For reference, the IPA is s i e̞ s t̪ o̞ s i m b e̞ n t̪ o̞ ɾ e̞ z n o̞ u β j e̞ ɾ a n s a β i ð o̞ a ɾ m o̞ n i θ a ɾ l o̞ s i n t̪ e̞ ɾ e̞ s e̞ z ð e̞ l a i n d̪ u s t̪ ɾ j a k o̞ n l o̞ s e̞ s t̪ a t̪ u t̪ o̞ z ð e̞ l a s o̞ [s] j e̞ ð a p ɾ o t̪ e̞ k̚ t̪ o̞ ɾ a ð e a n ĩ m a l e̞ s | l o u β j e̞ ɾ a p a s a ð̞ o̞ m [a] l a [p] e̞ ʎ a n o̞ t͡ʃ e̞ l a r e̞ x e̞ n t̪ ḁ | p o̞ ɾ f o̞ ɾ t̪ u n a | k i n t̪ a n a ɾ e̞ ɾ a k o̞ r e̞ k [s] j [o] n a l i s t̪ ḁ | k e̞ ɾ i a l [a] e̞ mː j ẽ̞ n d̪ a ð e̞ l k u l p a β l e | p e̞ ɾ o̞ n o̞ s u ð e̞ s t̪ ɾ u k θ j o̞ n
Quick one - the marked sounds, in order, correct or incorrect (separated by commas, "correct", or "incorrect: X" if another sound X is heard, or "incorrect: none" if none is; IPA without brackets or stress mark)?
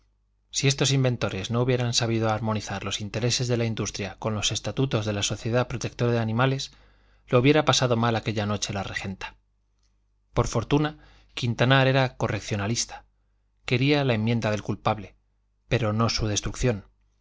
incorrect: θ, correct, incorrect: k, incorrect: θ, correct, correct